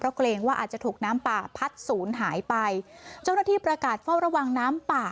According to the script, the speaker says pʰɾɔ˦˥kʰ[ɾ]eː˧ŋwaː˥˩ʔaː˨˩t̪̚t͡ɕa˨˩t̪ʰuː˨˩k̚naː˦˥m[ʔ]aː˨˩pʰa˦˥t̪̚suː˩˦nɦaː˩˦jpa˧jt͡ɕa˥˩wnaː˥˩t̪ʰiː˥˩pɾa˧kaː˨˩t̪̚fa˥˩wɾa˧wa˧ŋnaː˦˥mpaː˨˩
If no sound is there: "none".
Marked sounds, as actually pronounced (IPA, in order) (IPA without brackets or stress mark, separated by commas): l, p